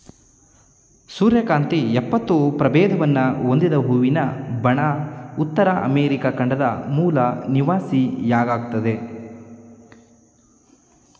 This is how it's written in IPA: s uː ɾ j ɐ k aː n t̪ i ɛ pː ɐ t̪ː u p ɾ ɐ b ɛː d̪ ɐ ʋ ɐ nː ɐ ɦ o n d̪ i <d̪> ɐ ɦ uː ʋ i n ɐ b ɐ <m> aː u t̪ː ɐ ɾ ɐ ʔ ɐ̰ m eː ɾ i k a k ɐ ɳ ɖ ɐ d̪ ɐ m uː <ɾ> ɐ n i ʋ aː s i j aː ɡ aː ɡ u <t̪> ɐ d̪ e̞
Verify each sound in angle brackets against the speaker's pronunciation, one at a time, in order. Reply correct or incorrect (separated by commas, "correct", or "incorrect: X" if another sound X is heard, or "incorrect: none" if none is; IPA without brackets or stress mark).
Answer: correct, incorrect: ɳ, incorrect: l, correct